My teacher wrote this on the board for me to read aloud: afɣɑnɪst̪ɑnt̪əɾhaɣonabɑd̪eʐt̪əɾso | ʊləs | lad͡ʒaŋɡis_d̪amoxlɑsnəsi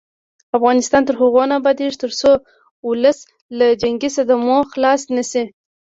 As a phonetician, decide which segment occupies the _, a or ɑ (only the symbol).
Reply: a